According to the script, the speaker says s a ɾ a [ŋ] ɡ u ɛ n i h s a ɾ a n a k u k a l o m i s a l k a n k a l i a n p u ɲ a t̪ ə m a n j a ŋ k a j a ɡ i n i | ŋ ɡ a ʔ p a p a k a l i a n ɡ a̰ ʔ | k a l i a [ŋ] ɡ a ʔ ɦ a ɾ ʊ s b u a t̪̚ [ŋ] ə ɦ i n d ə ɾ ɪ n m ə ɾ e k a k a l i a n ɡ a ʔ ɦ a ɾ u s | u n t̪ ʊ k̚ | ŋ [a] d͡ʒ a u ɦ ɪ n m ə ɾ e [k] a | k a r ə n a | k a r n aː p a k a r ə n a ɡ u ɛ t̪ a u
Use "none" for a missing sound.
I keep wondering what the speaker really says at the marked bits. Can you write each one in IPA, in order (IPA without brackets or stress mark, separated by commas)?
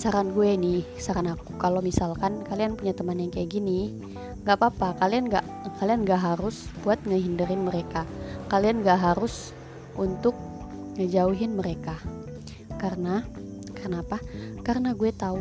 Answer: n, n, ŋ, ə, k